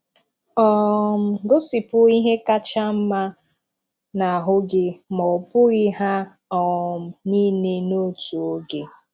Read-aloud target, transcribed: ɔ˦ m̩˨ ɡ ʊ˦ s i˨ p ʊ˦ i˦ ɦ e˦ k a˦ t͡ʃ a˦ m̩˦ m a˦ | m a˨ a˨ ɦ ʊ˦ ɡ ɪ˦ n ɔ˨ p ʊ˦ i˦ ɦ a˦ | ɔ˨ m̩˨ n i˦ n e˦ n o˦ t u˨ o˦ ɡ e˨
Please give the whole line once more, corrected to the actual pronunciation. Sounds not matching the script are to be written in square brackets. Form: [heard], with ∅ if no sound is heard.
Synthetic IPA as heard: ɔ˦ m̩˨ ɡ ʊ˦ s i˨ p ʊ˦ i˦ ɦ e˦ k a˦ t͡ʃ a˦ m̩˦ m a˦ | [n] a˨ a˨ ɦ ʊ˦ ɡ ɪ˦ [m] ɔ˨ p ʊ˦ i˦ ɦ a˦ | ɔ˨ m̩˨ n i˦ n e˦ n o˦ t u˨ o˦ ɡ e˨